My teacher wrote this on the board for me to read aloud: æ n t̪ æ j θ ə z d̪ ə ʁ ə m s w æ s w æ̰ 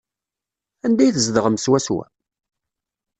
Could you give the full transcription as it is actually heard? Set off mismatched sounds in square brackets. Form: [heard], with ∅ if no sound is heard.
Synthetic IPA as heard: æ n [d̪] æ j θ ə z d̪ ə ʁ ə m s w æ s w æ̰